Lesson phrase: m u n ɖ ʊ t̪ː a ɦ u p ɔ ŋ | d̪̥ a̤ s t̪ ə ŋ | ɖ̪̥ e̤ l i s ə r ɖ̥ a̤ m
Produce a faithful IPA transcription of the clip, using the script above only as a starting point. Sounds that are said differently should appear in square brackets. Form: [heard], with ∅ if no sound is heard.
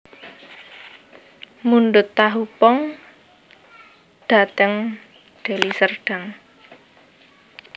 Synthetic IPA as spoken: m u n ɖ ʊ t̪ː a ɦ u p ɔ ŋ | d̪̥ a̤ [∅] t̪ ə ŋ | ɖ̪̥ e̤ l i s ə r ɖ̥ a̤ [ŋ]